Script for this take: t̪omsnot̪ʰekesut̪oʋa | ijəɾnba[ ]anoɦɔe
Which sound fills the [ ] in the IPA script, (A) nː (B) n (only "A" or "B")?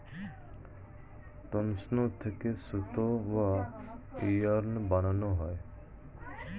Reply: B